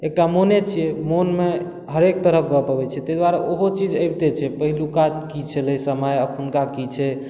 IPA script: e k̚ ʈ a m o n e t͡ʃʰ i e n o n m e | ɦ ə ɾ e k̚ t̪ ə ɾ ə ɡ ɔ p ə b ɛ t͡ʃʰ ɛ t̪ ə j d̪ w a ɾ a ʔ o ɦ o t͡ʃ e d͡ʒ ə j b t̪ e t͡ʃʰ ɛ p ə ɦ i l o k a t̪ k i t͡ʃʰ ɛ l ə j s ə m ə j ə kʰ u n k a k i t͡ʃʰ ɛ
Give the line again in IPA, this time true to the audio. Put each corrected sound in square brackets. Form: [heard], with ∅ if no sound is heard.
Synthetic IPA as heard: e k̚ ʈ a m o n e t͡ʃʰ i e [m] o n m e | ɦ ə ɾ e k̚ t̪ ə ɾ ə ɡ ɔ p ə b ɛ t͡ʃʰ ɛ t̪ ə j d̪ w a ɾ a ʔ o ɦ o t͡ʃ [i] d͡ʒ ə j b t̪ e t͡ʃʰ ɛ p ə ɦ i l [u] k a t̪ k i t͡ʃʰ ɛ l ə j s ə m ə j ə kʰ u n k a k i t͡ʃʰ ɛ